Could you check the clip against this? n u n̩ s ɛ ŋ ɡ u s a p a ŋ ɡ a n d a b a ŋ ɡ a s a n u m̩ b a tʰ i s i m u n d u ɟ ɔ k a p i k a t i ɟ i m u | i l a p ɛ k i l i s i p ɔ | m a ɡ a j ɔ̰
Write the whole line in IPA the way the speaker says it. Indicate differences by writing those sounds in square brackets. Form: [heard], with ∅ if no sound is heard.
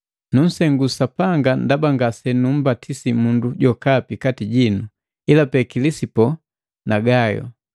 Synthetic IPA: n u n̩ s ɛ ŋ ɡ u s a p a ŋ ɡ a n d a b a ŋ ɡ a s [ɛ] n u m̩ b a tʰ i s i m u n d u ɟ ɔ k a p i k a t i ɟ i [n] u | i l a p ɛ k i l i s i p ɔ | [n] a ɡ a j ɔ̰